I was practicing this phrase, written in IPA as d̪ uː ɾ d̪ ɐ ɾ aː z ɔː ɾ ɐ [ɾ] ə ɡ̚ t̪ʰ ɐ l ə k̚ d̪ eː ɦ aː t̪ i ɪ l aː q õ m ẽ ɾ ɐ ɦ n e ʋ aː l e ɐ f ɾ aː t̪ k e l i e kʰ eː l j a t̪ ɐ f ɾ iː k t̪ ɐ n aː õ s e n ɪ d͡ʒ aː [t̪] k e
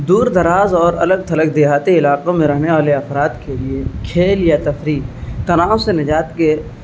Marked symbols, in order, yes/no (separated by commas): no, yes